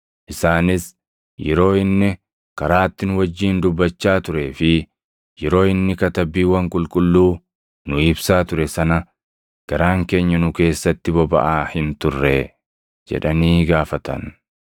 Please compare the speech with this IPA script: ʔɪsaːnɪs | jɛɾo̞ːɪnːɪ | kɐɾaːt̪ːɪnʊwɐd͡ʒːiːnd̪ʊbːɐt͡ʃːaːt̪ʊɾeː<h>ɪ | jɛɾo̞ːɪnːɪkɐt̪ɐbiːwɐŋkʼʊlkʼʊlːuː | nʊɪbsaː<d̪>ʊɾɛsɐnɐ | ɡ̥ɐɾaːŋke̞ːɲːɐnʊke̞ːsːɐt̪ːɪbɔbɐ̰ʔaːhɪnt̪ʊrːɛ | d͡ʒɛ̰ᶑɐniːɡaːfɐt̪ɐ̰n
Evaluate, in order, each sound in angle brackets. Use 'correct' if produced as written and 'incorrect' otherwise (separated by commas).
incorrect, incorrect